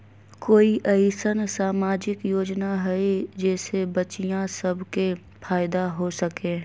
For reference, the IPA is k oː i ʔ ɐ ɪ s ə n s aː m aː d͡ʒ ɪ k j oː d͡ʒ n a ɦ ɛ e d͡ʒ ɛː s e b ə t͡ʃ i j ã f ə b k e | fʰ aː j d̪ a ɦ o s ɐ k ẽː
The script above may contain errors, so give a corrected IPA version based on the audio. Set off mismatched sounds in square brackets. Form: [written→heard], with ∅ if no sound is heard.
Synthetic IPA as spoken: k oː i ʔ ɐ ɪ s ə n s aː m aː d͡ʒ ɪ k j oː d͡ʒ n a ɦ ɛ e d͡ʒ ɛː s e b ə t͡ʃ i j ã [f→s] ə b k e | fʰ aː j d̪ a ɦ o s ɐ k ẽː

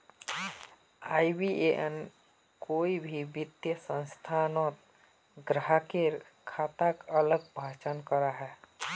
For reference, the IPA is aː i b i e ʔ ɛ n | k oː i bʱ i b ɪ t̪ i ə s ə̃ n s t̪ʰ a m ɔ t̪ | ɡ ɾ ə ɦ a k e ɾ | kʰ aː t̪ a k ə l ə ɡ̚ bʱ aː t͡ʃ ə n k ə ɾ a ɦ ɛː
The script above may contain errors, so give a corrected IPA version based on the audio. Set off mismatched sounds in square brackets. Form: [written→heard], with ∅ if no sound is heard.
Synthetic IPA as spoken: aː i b i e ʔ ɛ n | k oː i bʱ i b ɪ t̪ [i→j] ə s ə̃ n s t̪ʰ a [m→n] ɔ t̪ | ɡ ɾ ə ɦ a k e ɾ | kʰ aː t̪ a k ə l ə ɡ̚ bʱ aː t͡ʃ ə n k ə ɾ a ɦ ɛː

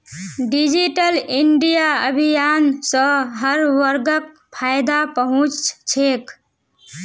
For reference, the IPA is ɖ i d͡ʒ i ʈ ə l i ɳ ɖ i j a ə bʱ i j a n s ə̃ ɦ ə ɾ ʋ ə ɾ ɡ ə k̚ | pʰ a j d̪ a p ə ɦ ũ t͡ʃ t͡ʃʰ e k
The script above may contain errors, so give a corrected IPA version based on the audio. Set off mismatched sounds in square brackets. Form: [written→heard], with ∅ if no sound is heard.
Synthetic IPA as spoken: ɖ i d͡ʒ i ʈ ə l i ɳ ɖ i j a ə bʱ i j a n s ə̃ ɦ ə ɾ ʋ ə ɾ ɡ ə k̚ | pʰ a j d̪ a p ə ɦ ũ t͡ʃ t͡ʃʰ e k

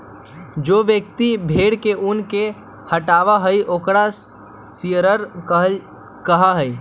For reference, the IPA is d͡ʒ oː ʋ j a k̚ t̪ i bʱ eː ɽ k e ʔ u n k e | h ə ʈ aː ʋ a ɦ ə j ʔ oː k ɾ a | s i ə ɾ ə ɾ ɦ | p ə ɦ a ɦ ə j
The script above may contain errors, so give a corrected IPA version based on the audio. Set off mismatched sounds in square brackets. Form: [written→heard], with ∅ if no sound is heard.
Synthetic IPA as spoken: d͡ʒ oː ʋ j [a→ə] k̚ t̪ i bʱ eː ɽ k e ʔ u n k e | h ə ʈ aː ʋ a ɦ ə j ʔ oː k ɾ a | s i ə ɾ ə ɾ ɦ | [p→k] ə ɦ a ɦ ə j

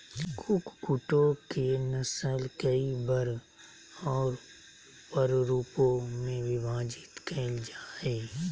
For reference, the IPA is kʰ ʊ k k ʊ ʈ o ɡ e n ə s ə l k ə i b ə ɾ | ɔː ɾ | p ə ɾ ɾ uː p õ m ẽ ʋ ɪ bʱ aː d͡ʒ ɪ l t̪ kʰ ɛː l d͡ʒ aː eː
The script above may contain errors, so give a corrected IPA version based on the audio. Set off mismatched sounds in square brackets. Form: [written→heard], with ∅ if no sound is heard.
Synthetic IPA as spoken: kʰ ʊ k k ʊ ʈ o [ɡ→k] e n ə s ə l k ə i b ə ɾ | ɔː ɾ | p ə ɾ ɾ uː p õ m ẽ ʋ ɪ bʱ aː d͡ʒ ɪ [l→∅] t̪ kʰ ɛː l d͡ʒ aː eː

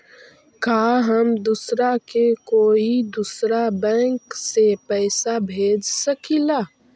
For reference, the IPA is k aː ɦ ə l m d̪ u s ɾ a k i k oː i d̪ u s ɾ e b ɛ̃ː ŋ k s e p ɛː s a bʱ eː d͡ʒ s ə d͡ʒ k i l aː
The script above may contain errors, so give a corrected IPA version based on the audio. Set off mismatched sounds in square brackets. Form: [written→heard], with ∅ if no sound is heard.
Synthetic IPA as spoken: k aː ɦ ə [l→∅] m d̪ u s ɾ a k [i→e] k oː i d̪ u s ɾ [e→a] b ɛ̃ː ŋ k s e p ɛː s a bʱ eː d͡ʒ s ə [d͡ʒ→∅] k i l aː

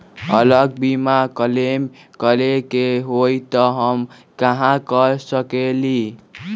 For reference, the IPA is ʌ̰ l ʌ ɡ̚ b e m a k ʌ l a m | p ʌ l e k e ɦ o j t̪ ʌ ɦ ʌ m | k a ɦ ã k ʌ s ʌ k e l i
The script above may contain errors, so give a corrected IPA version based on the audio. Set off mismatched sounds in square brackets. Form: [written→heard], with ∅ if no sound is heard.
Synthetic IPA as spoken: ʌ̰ l ʌ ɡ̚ b [e→i] m a k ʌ l [a→e] m | [p→k] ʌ l e k e ɦ o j t̪ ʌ ɦ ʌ m | k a ɦ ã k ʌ s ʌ k e l i

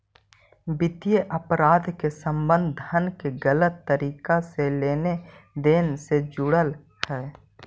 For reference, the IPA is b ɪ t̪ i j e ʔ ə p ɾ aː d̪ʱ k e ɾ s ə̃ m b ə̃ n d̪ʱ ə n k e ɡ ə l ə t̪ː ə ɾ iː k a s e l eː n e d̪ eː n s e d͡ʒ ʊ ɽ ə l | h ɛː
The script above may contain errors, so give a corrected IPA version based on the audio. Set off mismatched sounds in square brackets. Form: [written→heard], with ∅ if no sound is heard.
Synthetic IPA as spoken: b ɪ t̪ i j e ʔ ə p ɾ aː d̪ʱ k e [ɾ→∅] s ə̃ m b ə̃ n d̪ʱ ə n k e ɡ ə l ə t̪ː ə ɾ iː k a s e l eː n e d̪ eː n s e d͡ʒ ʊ ɽ ə l | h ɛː

